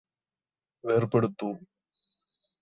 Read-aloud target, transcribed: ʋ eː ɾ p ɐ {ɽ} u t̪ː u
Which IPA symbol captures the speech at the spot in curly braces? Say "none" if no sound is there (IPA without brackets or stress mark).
ɽ